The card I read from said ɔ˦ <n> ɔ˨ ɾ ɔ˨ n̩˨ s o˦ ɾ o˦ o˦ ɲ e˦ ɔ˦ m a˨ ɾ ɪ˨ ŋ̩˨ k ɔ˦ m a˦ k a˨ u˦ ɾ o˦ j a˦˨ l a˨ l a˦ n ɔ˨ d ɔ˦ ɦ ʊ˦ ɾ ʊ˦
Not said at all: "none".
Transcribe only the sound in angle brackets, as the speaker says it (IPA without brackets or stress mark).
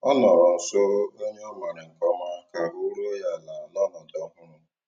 n